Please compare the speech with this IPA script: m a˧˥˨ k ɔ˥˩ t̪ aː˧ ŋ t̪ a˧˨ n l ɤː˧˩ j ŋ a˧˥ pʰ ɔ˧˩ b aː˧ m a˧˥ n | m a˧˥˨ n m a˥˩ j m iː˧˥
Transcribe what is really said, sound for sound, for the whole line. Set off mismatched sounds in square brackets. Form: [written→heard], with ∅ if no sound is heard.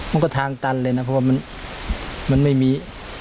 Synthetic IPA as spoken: m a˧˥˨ k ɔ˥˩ [t̪→t̪ʰ] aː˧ ŋ t̪ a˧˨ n l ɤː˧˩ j [ŋ→n] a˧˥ pʰ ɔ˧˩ [b→w] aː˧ m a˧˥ n | m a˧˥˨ n m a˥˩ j m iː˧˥